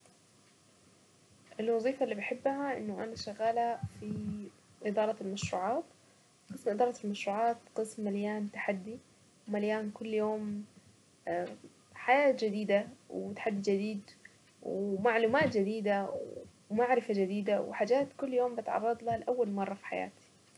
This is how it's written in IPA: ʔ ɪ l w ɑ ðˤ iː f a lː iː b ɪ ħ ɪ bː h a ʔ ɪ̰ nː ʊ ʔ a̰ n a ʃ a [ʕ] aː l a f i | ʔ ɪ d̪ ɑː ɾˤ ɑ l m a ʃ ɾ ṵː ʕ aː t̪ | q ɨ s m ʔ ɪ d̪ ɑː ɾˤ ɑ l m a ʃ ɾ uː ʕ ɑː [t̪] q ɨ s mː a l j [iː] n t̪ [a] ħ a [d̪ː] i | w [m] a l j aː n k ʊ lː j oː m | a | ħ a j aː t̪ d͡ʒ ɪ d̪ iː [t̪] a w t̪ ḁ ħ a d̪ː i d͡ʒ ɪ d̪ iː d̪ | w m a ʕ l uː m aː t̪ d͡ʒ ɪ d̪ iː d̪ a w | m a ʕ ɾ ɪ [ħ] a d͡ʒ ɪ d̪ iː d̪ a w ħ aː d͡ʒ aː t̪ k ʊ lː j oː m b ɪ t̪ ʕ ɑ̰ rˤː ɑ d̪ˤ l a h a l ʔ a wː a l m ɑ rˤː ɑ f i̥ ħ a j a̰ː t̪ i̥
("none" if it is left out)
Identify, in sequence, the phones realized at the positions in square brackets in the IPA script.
ɣ, t̪, aː, a, d̪ː, m, d̪, f

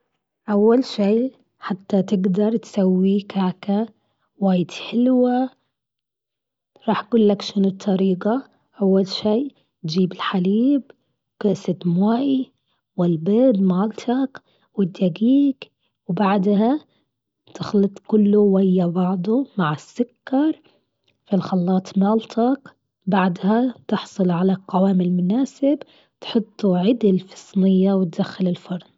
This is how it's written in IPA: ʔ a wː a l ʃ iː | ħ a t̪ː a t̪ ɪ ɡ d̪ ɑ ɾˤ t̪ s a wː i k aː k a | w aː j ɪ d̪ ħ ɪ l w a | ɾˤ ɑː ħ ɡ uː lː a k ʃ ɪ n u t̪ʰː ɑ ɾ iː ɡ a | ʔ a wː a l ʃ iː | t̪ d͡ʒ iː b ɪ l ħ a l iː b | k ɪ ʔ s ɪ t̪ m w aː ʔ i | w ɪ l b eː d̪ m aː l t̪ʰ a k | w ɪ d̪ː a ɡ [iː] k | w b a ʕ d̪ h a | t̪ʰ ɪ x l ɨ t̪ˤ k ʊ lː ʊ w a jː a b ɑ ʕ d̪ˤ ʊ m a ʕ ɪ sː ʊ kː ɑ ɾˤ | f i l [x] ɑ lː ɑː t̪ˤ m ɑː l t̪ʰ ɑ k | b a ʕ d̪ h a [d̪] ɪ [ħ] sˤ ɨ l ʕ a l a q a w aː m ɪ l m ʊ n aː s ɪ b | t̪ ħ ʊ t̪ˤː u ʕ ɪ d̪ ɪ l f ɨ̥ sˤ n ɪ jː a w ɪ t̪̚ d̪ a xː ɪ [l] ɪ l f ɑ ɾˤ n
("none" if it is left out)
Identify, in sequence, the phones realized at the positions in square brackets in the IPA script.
iː, x, t̪, ħ, l

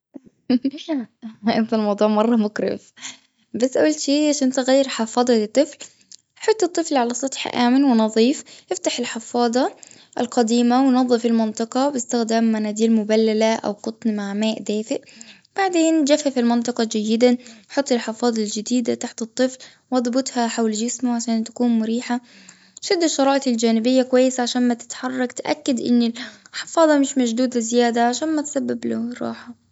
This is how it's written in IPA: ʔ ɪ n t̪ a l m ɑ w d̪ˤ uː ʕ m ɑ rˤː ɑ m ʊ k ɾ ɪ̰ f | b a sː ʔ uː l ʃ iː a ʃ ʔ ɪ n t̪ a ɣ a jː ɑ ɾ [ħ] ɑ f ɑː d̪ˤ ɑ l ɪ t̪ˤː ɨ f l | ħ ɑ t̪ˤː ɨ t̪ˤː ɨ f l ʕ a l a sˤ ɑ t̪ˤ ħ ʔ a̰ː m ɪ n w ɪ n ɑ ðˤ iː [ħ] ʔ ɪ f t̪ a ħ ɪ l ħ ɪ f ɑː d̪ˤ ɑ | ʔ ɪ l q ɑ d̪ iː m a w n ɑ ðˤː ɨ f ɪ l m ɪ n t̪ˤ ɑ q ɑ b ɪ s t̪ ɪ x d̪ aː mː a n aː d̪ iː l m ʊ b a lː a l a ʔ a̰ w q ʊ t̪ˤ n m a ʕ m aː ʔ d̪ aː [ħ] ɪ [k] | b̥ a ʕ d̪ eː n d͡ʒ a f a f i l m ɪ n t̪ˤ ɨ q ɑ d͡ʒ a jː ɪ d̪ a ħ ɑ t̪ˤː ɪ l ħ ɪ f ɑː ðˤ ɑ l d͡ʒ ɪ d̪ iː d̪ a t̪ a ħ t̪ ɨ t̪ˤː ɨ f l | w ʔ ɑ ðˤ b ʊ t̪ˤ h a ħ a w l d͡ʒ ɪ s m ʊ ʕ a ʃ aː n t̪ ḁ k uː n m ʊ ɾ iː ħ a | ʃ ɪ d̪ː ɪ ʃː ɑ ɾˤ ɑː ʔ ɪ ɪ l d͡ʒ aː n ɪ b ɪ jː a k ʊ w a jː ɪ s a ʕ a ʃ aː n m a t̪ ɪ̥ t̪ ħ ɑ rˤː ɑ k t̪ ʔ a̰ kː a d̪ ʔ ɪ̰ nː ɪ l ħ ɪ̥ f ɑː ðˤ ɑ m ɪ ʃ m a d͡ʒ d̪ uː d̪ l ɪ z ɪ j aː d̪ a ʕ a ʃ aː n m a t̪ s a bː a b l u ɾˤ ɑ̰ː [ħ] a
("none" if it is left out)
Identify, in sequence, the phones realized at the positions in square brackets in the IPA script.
ħ, f, f, ʔ, ħ

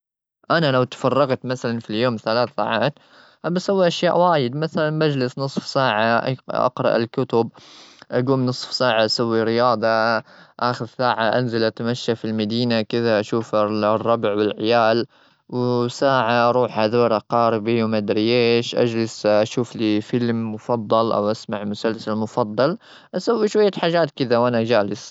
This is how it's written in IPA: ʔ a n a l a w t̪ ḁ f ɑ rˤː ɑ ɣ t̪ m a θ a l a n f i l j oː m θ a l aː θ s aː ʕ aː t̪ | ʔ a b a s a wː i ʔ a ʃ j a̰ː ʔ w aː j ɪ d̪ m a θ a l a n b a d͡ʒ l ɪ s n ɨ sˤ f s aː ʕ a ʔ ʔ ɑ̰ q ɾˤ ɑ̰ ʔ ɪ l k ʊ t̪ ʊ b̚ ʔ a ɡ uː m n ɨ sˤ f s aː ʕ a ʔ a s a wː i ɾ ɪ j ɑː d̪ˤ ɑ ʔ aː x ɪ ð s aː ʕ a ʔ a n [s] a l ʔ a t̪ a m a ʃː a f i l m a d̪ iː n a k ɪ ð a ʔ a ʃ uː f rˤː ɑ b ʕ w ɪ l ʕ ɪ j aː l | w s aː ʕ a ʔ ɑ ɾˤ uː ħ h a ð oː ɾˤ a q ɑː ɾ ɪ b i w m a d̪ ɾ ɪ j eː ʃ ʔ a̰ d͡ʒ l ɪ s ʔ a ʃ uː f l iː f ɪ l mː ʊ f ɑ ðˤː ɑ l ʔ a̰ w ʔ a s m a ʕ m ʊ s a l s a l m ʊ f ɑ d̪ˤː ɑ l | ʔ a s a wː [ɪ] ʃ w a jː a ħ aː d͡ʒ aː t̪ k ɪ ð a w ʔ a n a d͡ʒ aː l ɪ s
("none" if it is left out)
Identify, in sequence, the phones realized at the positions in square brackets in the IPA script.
z, i

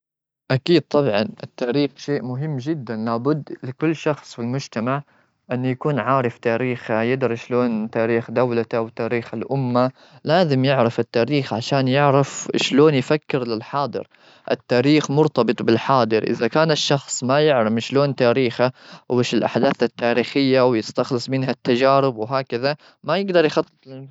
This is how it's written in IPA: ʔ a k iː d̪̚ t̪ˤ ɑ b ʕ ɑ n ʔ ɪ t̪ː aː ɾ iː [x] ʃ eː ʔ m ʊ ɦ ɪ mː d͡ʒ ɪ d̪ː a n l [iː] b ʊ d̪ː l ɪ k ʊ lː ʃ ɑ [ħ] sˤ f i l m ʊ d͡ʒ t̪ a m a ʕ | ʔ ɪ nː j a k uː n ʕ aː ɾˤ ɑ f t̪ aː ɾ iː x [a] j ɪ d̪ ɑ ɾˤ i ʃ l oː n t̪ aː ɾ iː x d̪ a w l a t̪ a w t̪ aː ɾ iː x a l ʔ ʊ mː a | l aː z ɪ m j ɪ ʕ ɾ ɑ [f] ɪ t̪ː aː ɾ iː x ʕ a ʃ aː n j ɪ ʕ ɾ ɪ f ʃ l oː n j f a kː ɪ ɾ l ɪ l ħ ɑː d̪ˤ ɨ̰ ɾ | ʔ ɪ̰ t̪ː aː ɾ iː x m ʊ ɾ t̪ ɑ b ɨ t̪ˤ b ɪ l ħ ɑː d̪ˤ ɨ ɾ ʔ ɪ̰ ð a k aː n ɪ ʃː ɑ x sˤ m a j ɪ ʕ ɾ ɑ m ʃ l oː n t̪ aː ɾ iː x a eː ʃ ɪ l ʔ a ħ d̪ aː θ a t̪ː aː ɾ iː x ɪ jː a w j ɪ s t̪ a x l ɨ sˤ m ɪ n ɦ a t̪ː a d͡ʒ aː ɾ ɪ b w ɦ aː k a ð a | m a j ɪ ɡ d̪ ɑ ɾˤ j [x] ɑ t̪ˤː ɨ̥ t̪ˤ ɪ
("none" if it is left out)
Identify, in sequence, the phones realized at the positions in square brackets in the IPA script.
x, aː, x, a, f, x

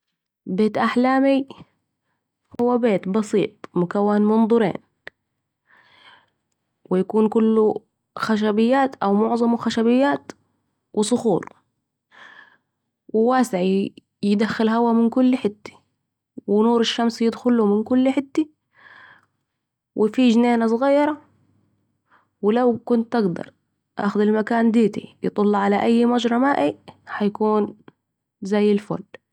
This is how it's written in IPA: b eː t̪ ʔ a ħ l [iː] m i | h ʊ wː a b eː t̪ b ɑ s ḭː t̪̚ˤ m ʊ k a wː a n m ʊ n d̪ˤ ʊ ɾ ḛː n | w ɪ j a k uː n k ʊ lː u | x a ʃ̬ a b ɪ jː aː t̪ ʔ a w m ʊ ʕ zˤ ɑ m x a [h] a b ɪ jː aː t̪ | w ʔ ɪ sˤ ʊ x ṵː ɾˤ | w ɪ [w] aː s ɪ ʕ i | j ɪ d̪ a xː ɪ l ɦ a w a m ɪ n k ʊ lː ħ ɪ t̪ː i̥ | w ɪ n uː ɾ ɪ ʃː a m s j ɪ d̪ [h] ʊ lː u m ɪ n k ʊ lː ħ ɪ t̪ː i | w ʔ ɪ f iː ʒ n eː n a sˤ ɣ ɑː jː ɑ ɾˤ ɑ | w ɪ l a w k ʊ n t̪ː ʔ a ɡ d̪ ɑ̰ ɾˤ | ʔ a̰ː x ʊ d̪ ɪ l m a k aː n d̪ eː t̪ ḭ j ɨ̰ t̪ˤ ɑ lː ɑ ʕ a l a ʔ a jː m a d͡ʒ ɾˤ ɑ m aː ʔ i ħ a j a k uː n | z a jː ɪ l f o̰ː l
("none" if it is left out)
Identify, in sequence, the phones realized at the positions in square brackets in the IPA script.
aː, ʃ, w, x

